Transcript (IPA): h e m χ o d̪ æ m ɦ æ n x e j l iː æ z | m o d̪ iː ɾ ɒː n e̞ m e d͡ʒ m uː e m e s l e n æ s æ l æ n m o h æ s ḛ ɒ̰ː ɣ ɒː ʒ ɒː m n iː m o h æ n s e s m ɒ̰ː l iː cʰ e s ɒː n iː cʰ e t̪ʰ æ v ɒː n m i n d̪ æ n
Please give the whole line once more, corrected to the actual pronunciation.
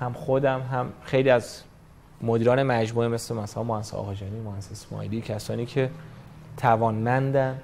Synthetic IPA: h æ m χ o d̪ æ m ɦ æ m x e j l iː æ z | m o d̪ iː ɾ ɒː n e̞ m æ d͡ʒ m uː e m e s l e m æ s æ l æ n m o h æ s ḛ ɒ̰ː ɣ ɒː d͡ʒ ɒː n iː m o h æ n s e s m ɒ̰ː l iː cʰ æ s ɒː n iː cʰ e t̪ʰ æ v ɒː n m æ n d̪ æ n